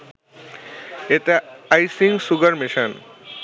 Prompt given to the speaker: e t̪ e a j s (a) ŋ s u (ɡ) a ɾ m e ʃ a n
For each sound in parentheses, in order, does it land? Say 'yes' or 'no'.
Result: no, yes

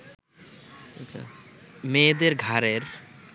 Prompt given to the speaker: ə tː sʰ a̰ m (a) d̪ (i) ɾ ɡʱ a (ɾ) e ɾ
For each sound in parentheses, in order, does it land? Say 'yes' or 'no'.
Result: no, no, yes

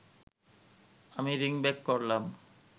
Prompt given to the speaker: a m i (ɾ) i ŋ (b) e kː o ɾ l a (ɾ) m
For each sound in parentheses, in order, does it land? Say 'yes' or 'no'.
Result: yes, yes, no

